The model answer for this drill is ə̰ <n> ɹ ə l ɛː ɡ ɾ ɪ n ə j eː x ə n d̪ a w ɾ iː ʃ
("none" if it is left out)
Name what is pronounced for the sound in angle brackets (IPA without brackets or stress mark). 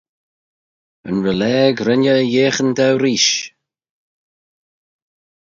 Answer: n